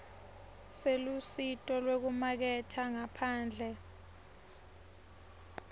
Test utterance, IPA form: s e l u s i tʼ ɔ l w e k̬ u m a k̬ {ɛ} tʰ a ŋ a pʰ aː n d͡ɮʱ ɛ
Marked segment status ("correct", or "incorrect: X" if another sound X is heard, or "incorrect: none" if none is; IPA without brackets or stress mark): correct